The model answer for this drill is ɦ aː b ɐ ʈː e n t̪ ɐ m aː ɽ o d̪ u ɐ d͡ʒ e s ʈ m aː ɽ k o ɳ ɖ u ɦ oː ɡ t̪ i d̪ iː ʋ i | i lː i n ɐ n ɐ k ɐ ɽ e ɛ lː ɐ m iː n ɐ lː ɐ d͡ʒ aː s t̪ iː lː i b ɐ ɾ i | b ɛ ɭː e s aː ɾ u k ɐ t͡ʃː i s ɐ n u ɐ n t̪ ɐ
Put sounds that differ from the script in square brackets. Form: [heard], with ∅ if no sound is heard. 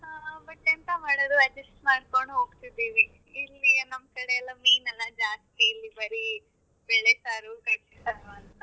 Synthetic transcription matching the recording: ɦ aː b ɐ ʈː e n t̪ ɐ m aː ɽ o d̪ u ɐ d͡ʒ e s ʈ m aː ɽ k o ɳ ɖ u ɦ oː ɡ t̪ i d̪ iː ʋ i | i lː i n ɐ [m] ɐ k ɐ ɽ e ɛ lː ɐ m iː n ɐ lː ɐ d͡ʒ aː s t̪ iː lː i b ɐ ɾ i | b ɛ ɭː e s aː ɾ u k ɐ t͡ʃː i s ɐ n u ɐ n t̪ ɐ